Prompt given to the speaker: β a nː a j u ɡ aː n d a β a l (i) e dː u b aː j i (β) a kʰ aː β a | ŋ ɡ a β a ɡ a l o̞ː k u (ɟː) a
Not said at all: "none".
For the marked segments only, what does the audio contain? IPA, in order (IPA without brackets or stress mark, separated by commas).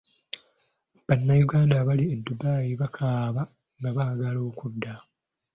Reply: i, β, dː